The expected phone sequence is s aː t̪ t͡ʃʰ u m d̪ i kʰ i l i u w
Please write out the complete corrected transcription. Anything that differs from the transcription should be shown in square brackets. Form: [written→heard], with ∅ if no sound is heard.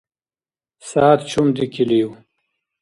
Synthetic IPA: s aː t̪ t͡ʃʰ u m d̪ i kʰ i l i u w